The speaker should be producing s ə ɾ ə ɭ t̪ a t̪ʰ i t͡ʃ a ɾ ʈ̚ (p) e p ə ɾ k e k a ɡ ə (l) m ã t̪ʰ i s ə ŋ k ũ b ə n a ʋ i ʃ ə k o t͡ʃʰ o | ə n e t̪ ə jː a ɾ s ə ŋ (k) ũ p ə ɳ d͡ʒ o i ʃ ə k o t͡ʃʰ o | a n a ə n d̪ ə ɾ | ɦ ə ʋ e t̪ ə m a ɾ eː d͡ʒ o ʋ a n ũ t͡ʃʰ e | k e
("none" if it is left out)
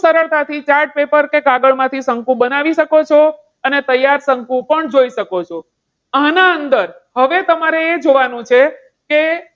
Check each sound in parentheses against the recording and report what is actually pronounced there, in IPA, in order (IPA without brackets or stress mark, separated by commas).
p, ɭ, k